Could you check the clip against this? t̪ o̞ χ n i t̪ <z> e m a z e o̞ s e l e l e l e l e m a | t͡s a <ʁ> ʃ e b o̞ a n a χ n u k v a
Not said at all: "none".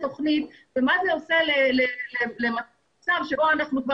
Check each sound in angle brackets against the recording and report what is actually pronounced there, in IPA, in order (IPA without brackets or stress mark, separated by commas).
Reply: v, v